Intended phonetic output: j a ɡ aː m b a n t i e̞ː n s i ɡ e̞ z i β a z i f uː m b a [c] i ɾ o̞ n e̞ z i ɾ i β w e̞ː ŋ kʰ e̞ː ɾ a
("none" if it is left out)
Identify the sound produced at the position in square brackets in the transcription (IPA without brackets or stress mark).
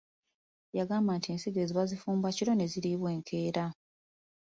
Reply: c